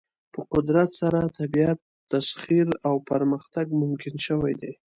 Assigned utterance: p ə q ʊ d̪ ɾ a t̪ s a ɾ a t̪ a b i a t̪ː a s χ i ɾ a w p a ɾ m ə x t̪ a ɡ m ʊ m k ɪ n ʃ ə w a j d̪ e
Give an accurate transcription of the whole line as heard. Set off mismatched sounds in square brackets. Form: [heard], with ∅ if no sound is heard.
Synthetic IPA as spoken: p ə q ʊ d̪ ɾ a t̪ s a ɾ a t̪ a b i a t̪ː a s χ i ɾ a w p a ɾ m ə x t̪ a ɡ m ʊ m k ɪ n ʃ ə w a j d̪ e